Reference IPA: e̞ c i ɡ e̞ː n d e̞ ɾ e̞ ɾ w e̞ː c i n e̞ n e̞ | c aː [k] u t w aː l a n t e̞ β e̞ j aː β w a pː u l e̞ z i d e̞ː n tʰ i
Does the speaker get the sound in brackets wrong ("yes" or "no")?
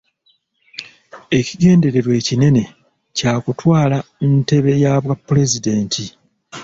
no